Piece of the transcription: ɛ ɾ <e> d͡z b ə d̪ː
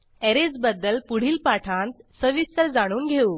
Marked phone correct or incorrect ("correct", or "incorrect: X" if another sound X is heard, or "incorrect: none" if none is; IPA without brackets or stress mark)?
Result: correct